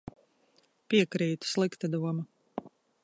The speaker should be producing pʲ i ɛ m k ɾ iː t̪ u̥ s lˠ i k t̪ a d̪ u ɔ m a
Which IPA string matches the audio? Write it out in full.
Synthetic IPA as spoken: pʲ i ɛ k ɾ iː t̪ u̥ s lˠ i k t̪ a d̪ u ɔ m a